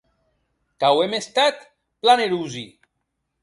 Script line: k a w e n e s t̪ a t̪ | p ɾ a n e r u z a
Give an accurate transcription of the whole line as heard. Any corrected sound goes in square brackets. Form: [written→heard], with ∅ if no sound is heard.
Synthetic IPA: k a w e [n→m] e s t̪ a t̪ | p [ɾ→l] a n e [r→ɾ] u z [a→i]